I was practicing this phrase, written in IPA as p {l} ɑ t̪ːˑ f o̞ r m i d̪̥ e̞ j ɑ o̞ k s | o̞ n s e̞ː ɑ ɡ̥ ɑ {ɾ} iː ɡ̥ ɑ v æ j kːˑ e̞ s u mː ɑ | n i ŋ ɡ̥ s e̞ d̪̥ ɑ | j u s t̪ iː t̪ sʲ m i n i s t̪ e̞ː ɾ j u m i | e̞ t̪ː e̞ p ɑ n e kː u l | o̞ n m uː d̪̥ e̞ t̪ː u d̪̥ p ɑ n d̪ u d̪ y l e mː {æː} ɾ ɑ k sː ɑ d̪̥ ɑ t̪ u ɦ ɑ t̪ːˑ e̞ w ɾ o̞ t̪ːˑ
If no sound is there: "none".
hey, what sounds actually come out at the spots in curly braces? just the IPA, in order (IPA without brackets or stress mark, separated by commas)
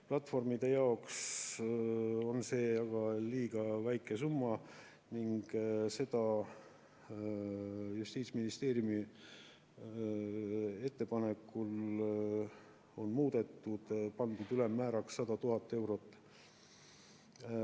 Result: l, l, æː